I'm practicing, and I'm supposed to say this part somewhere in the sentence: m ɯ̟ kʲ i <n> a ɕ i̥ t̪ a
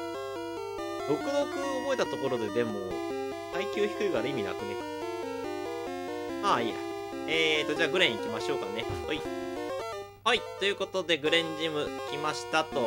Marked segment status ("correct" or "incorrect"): incorrect